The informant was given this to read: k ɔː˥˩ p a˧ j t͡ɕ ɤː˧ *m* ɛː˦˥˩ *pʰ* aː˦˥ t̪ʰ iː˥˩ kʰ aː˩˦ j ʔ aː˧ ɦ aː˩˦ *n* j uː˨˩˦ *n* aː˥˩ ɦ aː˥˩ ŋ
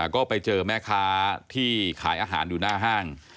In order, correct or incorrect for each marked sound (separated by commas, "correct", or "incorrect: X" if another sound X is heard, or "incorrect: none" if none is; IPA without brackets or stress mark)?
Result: correct, incorrect: kʰ, correct, correct